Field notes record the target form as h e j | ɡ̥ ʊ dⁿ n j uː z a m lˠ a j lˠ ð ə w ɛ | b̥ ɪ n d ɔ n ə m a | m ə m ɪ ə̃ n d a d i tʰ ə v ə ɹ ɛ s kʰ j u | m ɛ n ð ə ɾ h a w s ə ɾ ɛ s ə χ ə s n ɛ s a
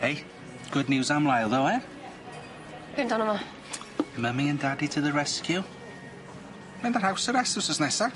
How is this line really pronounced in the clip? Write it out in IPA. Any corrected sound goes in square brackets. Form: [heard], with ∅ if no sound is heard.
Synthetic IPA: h e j | ɡ̥ ʊ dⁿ n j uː z a m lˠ a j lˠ ð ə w ɛ | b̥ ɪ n d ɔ n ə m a | m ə m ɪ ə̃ n d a d i tʰ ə [ð] ə ɹ ɛ s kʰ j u | m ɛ n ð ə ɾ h a w s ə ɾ ɛ s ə [s] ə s n ɛ s a